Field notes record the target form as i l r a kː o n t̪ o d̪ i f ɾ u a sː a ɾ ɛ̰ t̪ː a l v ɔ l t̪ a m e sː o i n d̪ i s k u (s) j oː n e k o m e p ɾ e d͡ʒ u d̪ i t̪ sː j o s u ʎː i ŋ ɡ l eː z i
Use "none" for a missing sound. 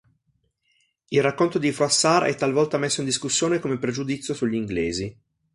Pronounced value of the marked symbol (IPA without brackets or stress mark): sː